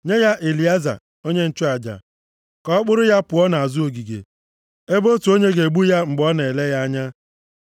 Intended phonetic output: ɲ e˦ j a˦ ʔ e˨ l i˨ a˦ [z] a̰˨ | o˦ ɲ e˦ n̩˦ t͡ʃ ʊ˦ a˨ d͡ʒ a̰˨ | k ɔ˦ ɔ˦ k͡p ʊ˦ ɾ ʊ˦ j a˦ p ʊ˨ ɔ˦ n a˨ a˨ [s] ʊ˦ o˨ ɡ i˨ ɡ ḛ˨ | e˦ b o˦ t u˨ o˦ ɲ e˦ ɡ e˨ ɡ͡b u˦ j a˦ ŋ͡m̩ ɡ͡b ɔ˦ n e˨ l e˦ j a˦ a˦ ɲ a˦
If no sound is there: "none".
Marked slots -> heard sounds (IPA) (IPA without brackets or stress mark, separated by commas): z, z